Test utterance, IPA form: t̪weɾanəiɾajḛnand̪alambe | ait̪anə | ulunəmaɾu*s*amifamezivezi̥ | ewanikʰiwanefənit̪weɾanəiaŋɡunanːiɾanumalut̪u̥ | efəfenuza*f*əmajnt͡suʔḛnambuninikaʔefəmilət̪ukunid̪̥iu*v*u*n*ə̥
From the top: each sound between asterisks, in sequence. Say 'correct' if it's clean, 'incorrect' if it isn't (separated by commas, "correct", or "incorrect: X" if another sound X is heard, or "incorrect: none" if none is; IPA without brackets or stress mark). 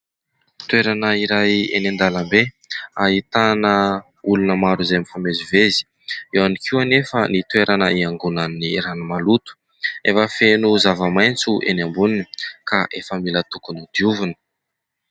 incorrect: z, incorrect: v, correct, correct